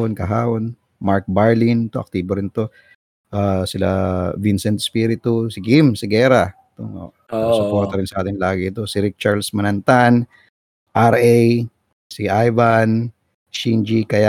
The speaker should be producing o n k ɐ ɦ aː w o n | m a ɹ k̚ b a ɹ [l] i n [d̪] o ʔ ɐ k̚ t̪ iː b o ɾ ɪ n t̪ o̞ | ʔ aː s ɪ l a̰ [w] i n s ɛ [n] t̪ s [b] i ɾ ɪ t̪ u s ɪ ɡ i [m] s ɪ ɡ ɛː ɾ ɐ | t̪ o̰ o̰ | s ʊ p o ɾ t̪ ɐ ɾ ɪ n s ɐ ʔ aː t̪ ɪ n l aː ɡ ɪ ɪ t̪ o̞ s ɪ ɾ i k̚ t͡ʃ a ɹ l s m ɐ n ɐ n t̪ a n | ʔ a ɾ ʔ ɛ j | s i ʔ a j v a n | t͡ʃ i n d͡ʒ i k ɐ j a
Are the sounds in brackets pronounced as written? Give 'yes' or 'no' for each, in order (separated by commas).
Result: yes, no, no, yes, no, yes